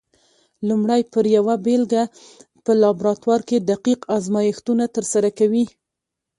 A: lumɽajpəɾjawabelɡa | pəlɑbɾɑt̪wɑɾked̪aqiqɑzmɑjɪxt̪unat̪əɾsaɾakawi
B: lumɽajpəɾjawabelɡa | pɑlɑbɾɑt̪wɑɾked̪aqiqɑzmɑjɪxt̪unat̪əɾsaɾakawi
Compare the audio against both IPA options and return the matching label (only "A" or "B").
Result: A